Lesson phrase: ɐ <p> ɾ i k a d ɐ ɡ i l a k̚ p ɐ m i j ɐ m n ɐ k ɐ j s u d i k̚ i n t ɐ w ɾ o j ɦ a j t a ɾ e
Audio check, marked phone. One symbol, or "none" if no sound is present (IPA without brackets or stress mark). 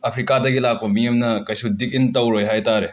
pʰ